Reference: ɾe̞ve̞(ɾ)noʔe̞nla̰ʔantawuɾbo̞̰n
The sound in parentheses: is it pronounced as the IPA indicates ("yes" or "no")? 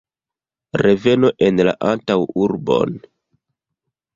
no